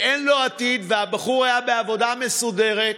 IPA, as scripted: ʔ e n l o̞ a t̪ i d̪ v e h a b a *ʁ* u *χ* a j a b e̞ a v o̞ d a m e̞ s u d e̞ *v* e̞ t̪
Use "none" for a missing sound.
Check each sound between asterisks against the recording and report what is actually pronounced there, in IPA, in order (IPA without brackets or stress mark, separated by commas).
χ, ʁ, ʁ